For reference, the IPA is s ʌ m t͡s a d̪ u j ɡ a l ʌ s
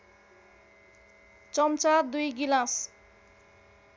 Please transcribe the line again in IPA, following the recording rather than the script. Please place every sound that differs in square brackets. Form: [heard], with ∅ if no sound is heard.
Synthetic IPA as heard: [t͡s] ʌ m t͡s a d̪ u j ɡ [i] l [a] s